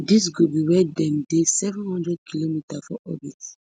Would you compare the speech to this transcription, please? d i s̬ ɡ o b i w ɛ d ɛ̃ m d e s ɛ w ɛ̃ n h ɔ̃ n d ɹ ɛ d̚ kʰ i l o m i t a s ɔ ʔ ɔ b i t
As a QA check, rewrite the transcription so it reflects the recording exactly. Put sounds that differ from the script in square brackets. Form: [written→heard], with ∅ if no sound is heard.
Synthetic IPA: d i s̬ ɡ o b i w ɛ d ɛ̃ m d e s ɛ [w→v] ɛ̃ n h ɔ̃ n d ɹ ɛ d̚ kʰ i l o m i t a [s→f] ɔ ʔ ɔ b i t